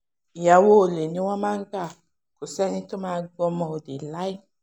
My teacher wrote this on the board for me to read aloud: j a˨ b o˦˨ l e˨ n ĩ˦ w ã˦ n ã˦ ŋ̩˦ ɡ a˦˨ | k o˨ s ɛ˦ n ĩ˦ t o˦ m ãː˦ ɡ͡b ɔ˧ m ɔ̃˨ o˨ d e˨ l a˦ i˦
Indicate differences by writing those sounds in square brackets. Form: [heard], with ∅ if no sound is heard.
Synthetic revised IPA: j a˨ [w] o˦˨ l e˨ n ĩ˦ w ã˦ [m] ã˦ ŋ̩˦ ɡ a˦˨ | k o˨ s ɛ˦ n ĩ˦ t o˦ m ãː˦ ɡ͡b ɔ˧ m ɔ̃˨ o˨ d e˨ l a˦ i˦